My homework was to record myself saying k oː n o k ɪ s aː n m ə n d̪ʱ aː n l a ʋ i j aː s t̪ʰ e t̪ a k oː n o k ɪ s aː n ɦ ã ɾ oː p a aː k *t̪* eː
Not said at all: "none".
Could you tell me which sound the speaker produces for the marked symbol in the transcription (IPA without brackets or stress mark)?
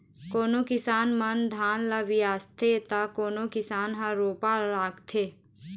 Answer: t̪ʰ